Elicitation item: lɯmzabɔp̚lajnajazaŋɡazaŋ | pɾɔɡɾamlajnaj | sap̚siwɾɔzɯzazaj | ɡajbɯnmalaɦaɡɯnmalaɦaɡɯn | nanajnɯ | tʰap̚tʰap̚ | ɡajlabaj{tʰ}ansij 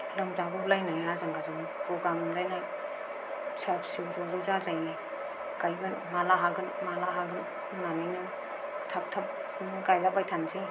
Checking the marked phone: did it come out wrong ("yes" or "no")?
no